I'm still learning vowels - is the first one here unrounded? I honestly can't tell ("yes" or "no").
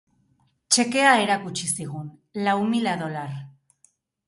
yes